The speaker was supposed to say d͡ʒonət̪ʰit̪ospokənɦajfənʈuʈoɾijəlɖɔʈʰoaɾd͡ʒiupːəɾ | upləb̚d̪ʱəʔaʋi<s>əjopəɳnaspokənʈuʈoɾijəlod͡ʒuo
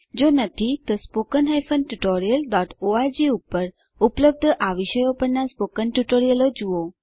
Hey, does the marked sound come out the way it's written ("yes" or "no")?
no